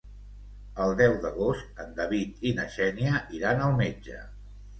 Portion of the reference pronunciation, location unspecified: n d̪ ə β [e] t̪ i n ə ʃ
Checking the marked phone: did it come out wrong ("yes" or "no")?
yes